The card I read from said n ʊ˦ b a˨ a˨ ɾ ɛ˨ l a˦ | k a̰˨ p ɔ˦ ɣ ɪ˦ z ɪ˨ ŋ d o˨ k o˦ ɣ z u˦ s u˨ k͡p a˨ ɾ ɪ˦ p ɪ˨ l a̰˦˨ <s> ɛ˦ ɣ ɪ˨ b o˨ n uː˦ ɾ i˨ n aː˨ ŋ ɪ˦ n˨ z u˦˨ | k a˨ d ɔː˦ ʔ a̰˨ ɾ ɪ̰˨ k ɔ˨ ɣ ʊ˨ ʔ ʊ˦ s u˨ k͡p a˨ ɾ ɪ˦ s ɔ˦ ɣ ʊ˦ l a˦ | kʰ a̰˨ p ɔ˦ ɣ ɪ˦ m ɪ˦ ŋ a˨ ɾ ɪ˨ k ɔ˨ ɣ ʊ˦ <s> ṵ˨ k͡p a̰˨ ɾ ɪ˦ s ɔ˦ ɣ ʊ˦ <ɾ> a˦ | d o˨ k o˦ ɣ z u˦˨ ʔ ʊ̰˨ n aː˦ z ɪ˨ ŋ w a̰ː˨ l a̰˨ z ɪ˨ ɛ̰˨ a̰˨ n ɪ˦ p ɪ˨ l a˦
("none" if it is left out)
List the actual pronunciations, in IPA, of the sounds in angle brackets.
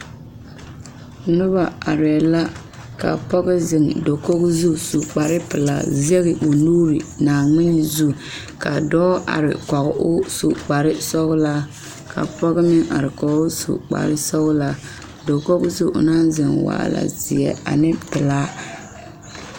z, s, l

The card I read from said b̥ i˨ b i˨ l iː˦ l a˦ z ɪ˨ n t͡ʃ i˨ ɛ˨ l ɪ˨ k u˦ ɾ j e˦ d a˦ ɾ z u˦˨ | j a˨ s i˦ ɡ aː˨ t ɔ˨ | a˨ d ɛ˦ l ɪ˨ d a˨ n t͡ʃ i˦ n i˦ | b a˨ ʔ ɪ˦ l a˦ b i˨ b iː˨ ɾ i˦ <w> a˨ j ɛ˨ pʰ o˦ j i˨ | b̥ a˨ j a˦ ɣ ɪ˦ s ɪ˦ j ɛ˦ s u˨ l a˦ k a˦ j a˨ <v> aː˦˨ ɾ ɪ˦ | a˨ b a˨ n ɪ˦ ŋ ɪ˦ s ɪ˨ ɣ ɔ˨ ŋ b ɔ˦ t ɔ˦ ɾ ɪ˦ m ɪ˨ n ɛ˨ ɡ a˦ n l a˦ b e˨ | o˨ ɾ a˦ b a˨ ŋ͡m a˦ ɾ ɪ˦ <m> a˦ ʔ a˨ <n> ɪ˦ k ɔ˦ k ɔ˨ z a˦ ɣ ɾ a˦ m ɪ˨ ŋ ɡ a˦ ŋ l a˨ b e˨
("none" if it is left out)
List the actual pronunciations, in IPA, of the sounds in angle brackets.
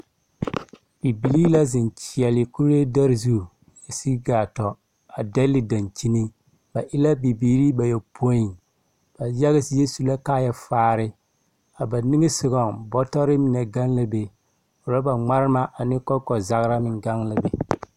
b, f, m, n

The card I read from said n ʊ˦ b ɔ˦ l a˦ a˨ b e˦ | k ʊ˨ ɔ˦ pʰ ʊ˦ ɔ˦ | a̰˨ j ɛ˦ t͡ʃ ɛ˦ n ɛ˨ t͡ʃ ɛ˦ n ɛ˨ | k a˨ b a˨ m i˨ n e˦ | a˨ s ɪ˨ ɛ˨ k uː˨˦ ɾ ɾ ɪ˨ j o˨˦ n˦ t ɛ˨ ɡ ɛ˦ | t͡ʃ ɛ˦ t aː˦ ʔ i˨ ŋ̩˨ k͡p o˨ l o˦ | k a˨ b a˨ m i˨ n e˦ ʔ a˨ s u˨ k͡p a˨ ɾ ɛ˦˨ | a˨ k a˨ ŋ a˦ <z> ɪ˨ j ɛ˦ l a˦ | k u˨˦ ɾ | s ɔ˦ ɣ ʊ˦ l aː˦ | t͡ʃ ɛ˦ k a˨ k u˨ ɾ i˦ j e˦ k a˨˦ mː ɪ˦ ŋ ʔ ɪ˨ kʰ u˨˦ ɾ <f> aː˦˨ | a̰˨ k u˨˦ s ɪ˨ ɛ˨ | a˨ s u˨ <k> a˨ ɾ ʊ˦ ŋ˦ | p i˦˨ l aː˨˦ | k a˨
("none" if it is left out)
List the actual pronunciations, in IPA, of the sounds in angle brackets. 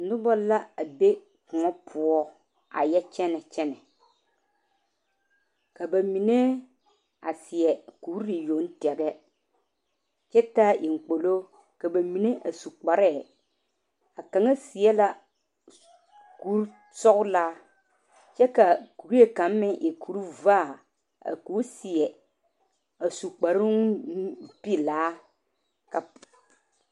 s, v, k͡p

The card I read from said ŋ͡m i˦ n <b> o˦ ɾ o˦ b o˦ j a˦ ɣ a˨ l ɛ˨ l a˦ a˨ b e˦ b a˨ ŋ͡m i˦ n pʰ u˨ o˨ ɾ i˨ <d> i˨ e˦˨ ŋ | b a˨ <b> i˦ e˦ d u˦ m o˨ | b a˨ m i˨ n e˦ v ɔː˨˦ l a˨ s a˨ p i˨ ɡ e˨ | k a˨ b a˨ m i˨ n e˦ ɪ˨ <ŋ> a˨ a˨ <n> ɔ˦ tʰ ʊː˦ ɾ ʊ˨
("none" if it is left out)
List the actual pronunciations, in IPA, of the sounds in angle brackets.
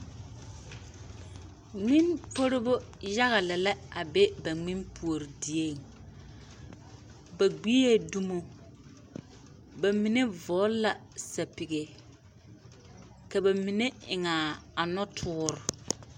p, d, ɡ͡b, ŋ, n

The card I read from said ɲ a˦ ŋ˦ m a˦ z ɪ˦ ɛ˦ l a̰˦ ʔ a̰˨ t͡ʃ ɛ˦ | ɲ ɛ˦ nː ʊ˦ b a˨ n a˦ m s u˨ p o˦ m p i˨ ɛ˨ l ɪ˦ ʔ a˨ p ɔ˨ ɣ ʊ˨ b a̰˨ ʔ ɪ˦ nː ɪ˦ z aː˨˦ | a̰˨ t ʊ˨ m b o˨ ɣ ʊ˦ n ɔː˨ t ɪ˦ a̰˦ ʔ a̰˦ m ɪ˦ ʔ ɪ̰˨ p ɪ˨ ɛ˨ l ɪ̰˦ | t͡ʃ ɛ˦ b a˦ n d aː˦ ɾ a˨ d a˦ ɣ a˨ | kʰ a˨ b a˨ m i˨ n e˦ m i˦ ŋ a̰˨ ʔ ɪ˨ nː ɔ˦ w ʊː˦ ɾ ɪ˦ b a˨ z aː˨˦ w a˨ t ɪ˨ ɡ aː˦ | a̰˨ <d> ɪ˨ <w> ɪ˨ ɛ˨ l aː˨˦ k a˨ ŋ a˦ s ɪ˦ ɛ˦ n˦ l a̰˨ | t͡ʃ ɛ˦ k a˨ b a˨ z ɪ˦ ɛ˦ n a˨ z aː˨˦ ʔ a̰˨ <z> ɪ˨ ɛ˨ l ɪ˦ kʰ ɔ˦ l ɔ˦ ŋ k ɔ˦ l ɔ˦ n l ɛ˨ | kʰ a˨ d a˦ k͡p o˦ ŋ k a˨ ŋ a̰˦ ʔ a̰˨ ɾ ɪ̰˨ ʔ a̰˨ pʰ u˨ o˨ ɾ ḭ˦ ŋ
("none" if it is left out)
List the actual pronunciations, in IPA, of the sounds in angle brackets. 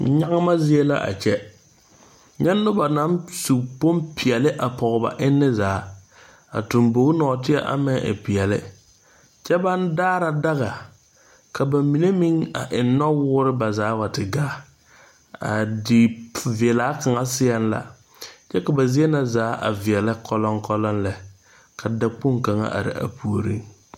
d, v, v

